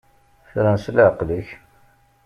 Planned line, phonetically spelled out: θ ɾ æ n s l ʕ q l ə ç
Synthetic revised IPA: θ ɾ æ n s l ʕ q l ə ç